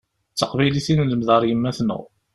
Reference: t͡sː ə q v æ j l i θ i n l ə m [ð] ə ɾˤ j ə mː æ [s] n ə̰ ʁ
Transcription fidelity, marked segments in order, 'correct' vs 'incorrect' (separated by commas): correct, incorrect